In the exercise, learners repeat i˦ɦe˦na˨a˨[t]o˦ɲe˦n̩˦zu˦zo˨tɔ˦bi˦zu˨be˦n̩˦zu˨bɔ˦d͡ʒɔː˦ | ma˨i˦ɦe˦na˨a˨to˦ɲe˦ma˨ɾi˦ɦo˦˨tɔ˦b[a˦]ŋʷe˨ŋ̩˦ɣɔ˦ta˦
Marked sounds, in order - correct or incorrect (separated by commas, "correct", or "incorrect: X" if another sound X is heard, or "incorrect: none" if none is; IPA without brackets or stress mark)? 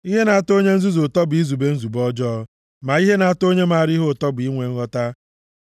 correct, incorrect: i˦